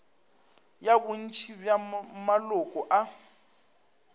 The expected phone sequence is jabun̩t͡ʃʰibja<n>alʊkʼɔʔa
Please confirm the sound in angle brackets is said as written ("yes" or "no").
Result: no